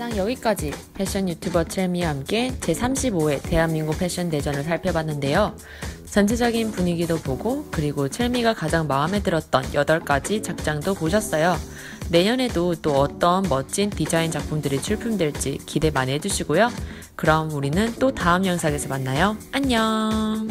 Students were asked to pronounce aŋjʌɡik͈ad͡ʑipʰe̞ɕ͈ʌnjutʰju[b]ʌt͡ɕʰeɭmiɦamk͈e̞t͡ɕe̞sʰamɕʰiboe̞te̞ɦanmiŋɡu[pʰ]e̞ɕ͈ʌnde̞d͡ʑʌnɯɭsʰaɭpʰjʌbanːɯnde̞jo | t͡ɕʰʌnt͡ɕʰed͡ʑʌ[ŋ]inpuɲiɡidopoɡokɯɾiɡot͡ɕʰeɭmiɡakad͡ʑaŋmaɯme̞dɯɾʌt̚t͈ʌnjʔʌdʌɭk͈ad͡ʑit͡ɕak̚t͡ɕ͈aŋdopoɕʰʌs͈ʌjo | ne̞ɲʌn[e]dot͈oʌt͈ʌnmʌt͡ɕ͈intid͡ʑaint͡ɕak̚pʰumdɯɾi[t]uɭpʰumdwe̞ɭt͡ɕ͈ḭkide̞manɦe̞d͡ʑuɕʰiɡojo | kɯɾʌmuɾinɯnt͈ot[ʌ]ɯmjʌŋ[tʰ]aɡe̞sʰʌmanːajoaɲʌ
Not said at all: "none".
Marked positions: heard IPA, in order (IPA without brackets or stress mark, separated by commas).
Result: b, pʰ, ɡ, e, t͡ɕʰ, a, sʰ